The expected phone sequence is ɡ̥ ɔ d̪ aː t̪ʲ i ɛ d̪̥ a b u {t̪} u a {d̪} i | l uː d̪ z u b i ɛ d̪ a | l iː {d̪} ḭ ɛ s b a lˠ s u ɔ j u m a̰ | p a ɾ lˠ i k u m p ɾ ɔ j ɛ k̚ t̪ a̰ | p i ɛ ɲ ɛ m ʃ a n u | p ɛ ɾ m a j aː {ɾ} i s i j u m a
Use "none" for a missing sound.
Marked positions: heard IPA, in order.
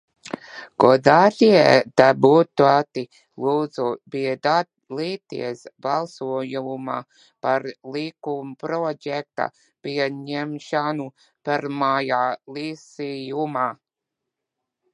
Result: t̪, t̪, t̪, l

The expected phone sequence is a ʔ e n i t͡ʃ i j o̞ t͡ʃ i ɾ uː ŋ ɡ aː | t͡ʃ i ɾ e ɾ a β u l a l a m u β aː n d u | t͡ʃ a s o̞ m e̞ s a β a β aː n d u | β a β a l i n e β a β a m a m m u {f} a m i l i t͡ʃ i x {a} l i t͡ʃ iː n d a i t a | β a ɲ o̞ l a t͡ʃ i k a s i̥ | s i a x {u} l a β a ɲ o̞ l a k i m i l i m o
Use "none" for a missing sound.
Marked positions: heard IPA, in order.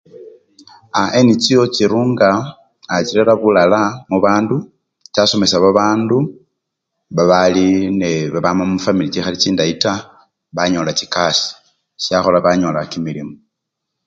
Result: f, a, o

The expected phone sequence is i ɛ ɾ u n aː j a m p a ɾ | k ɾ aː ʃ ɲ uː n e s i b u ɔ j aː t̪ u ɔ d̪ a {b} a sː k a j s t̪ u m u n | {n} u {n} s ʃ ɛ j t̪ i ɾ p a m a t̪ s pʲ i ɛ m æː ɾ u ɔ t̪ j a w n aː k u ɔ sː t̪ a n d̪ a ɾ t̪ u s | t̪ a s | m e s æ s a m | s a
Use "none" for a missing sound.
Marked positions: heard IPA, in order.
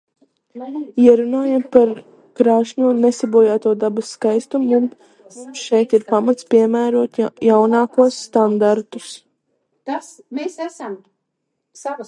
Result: b, m, m

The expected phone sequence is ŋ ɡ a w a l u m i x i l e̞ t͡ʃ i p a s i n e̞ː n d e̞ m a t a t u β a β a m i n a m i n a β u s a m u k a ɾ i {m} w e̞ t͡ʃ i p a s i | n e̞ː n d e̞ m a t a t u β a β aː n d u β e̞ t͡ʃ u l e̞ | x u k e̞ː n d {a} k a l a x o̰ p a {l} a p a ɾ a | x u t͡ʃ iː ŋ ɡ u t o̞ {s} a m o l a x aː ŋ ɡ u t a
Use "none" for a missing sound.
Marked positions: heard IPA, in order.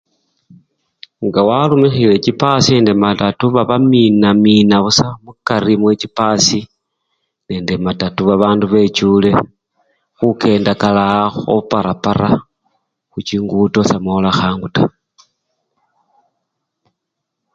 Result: m, a, ɾ, s

